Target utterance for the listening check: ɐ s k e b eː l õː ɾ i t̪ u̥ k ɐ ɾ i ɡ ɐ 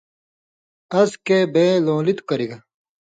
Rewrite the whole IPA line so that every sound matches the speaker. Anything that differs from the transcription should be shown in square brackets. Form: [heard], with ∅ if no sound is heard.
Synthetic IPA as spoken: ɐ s k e b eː l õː [l] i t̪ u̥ k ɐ ɾ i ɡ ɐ